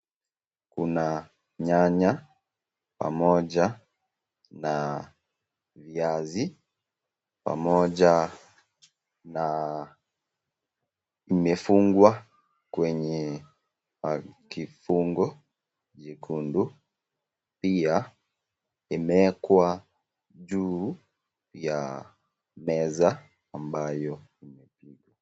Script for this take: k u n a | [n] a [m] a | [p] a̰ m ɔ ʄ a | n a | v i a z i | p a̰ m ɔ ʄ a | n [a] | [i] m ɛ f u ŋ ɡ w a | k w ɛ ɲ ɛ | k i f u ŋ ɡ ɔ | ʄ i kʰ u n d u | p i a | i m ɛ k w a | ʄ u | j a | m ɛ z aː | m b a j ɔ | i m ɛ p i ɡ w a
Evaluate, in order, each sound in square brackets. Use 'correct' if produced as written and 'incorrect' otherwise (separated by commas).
incorrect, incorrect, correct, correct, correct